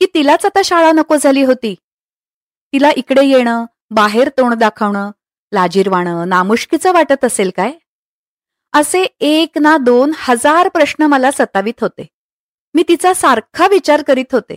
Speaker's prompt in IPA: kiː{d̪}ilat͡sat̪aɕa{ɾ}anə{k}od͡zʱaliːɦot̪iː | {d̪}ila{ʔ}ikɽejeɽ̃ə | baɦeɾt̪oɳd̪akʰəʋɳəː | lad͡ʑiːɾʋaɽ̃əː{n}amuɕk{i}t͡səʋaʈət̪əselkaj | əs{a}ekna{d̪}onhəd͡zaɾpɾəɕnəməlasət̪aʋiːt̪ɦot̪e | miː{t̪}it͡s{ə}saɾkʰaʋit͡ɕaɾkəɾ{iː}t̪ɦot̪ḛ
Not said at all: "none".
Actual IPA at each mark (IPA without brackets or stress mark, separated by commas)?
t̪, ɭ, k, t̪, ʔ, n, i, e, d̪, t̪, a, iː